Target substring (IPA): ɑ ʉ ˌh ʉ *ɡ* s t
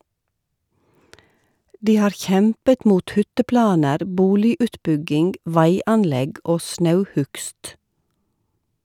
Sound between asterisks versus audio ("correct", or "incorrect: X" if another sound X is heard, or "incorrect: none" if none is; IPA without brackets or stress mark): incorrect: k